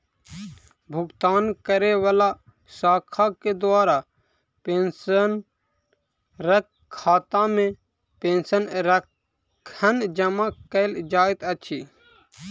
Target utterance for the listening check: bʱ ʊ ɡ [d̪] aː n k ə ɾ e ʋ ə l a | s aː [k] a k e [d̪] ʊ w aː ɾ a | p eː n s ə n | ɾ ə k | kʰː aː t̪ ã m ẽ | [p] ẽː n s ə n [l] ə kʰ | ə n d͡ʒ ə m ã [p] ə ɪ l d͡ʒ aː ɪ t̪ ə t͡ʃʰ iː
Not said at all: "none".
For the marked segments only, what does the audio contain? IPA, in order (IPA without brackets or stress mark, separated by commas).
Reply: t̪, kʰ, d̪, p, ɾ, k